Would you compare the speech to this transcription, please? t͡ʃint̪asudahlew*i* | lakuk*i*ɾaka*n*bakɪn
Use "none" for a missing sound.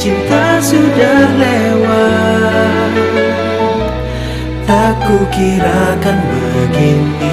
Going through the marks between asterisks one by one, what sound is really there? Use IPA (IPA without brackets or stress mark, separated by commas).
a, i, n